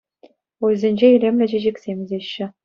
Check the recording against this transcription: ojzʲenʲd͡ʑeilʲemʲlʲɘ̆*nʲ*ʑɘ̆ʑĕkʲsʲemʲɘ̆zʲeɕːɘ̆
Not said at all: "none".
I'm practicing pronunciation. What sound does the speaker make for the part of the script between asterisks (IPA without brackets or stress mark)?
none